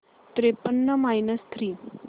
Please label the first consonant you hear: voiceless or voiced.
voiceless